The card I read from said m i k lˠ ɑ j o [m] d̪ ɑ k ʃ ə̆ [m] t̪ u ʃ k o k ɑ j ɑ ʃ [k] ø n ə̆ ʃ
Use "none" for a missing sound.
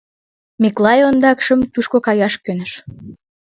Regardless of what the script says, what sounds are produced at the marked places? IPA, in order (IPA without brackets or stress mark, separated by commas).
n, m, k